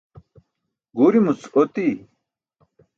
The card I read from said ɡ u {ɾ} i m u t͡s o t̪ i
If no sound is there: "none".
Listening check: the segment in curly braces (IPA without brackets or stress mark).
ɾ